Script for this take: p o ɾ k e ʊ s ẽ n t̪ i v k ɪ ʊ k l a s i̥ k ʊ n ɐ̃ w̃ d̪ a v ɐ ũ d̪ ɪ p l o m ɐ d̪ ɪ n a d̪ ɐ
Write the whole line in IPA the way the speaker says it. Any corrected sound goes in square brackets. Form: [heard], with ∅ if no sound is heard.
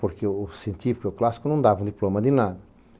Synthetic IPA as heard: p o ɾ k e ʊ s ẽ n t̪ i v k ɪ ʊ k l a s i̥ k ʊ n ɐ̃ w̃ d̪ a v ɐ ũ d̪ [i] p l o m ɐ d̪ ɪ n a d̪ ɐ

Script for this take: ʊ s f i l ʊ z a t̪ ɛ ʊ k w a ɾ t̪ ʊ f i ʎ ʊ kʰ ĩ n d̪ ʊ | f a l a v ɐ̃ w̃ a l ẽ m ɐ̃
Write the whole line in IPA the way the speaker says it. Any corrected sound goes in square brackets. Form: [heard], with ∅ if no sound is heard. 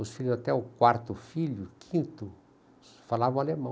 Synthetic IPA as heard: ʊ s f i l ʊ z a t̪ ɛ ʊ k w a ɾ t̪ ʊ f i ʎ ʊ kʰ ĩ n [t̪] ʊ | f a l a v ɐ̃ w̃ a l [e] m ɐ̃

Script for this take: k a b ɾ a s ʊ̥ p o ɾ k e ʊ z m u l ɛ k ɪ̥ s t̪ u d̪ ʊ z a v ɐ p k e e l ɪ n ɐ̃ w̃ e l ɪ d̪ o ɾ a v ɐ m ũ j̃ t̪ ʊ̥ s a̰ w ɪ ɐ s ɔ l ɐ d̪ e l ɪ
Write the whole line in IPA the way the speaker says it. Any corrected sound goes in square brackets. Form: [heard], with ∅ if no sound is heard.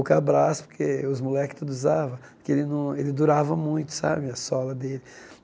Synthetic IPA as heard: k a b ɾ a s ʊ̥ p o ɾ k e ʊ z m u l ɛ k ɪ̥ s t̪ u d̪ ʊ z a v ɐ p k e e l ɪ n ɐ̃ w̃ e l ɪ d̪ [u] ɾ a v ɐ m ũ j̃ t̪ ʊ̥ s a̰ [b] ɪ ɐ s ɔ l ɐ d̪ e l ɪ

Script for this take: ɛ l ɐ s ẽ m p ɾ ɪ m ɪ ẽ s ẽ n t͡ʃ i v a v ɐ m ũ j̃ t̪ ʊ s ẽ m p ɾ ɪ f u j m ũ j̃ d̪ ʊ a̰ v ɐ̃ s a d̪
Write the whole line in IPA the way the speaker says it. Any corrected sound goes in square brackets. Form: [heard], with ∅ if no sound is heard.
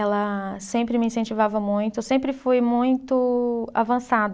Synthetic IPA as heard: ɛ l ɐ s ẽ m p ɾ ɪ m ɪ [ĩ] s ẽ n t͡ʃ i v a v ɐ m ũ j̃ t̪ ʊ s ẽ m p ɾ ɪ f u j m ũ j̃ [t̪] ʊ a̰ v ɐ̃ s a d̪

